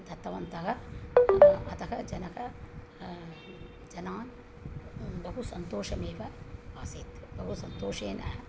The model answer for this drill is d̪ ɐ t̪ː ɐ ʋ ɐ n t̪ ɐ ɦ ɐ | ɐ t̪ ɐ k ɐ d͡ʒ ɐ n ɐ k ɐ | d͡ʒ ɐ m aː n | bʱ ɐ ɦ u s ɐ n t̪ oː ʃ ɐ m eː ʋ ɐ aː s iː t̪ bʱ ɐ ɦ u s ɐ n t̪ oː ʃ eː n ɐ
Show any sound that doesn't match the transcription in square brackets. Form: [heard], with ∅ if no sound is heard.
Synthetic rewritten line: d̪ ɐ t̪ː ɐ ʋ ɐ n t̪ ɐ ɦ ɐ | ɐ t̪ ɐ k ɐ d͡ʒ ɐ n ɐ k ɐ | d͡ʒ ɐ [n] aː n | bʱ ɐ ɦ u s ɐ n t̪ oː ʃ ɐ m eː ʋ ɐ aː s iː t̪ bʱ ɐ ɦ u s ɐ n t̪ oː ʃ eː n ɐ

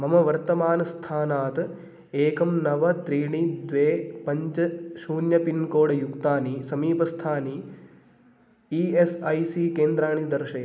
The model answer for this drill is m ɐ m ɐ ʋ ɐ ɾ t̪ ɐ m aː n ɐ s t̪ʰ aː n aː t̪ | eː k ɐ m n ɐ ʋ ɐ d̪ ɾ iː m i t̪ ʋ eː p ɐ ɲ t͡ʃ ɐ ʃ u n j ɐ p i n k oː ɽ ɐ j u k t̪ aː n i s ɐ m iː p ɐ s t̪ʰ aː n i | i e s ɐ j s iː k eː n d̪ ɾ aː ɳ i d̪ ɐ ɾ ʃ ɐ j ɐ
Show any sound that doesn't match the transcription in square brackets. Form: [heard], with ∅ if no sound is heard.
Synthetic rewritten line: m ɐ m ɐ ʋ ɐ ɾ t̪ ɐ m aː n ɐ s t̪ʰ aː n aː t̪ | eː k ɐ m n ɐ ʋ ɐ [t̪] ɾ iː [ɳ] i [d̪] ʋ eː p ɐ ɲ t͡ʃ ɐ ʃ [uː] n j ɐ p i n k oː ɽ ɐ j u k t̪ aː n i s ɐ m iː p ɐ s t̪ʰ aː n i | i e s ɐ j s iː k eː n d̪ ɾ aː ɳ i d̪ ɐ ɾ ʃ ɐ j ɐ

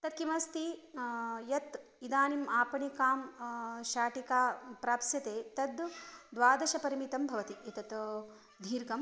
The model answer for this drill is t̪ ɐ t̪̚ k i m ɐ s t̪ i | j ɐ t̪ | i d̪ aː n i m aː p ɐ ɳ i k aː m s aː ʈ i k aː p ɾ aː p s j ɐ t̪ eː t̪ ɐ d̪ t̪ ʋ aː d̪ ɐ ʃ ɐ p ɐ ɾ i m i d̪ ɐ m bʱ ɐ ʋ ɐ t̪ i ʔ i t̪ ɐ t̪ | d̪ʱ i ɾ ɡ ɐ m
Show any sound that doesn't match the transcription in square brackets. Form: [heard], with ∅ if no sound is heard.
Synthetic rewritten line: t̪ ɐ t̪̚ k i m ɐ s t̪ i | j ɐ t̪ | i d̪ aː n i m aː p ɐ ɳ i k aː m [ʃ] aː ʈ i k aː p ɾ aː p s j ɐ t̪ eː t̪ ɐ d̪ [d̪] ʋ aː d̪ ɐ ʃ ɐ p ɐ ɾ i m i [t̪] ɐ m bʱ ɐ ʋ ɐ t̪ i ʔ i t̪ ɐ t̪ | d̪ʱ [iː] ɾ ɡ ɐ m

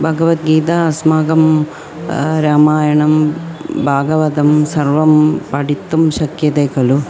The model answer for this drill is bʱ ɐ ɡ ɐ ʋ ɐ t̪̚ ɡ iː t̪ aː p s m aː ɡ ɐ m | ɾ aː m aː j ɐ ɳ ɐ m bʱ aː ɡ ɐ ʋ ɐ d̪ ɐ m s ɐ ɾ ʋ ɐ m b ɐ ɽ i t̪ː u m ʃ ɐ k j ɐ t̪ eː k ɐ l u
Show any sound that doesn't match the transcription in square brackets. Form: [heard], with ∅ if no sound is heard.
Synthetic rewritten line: bʱ ɐ ɡ ɐ ʋ ɐ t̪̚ ɡ iː t̪ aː [∅] s m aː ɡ ɐ m | ɾ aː m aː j ɐ ɳ ɐ m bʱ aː ɡ ɐ ʋ ɐ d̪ ɐ m s ɐ ɾ ʋ ɐ m [p] ɐ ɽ i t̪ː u m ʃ ɐ k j ɐ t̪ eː k ɐ l u

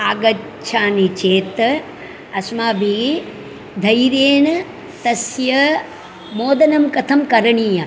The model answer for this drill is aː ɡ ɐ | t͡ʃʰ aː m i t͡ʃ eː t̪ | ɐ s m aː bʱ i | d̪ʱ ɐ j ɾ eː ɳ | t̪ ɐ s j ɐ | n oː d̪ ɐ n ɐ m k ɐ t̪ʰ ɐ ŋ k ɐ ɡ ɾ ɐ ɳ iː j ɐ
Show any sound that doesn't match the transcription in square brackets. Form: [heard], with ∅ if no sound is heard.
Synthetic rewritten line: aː ɡ ɐ | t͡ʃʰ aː [n] i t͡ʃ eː t̪ | ɐ s m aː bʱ i | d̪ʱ ɐ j ɾ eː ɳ | t̪ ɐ s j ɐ | [m] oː d̪ ɐ n ɐ m k ɐ t̪ʰ ɐ [m] k ɐ [∅] ɾ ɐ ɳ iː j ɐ

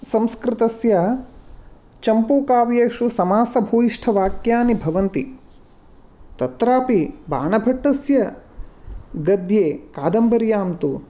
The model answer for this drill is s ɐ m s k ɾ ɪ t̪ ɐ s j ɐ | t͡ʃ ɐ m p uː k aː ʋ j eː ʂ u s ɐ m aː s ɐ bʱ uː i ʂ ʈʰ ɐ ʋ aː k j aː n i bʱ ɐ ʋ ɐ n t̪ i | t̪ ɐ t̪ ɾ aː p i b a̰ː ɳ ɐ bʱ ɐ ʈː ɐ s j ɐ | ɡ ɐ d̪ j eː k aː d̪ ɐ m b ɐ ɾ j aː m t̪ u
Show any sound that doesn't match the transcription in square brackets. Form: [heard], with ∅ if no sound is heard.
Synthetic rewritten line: s ɐ m s k ɾ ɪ t̪ ɐ s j ɐ | t͡ʃ ɐ m p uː k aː ʋ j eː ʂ u s ɐ m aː s ɐ bʱ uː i ʂ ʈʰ ɐ ʋ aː k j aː n i bʱ ɐ ʋ ɐ n t̪ i | t̪ ɐ t̪ ɾ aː p i b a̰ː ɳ ɐ bʱ ɐ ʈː ɐ s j ɐ | ɡ ɐ d̪ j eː k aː d̪ ɐ m b ɐ ɾ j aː m t̪ u

